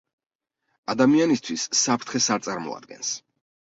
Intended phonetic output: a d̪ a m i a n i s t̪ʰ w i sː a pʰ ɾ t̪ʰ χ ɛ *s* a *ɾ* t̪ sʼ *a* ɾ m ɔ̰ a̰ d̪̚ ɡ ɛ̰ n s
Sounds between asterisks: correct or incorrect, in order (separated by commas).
correct, correct, correct